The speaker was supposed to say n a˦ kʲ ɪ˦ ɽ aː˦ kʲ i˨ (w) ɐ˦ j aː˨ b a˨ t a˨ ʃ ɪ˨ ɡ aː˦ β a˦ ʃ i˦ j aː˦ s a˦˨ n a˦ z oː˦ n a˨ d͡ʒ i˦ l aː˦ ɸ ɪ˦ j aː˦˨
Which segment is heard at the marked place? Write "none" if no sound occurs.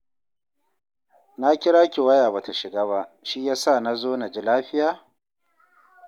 w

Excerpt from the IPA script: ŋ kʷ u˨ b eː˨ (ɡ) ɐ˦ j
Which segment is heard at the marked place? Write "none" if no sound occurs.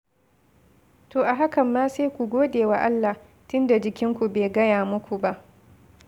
ɡ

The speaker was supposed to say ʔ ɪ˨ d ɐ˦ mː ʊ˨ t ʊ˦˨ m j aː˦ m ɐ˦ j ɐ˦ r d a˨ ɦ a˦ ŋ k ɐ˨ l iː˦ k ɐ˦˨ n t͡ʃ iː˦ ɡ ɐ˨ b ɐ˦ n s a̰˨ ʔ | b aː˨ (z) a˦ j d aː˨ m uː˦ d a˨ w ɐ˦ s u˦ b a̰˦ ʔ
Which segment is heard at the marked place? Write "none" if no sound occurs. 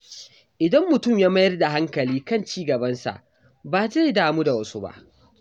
z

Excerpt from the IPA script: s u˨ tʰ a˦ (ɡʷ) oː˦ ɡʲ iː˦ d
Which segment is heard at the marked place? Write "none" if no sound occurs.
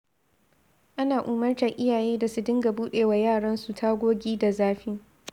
ɡʷ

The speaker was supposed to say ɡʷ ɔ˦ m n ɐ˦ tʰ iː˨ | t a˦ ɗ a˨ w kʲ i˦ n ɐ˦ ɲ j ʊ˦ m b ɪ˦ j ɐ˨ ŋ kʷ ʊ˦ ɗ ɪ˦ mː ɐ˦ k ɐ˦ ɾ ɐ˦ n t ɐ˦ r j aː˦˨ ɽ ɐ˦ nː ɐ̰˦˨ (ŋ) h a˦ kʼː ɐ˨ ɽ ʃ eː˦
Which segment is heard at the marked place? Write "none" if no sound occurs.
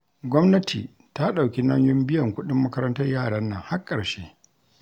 ŋ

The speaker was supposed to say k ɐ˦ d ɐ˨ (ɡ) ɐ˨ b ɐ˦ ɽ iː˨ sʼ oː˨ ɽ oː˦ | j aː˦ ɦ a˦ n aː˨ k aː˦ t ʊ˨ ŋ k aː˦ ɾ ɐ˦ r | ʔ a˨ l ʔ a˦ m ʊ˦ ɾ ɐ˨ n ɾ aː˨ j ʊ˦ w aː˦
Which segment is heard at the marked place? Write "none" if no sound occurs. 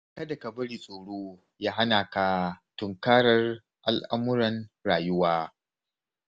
k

